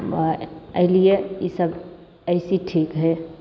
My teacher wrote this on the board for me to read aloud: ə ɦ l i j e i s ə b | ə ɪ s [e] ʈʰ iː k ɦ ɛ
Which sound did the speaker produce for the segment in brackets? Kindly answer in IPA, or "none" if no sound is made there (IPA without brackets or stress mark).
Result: i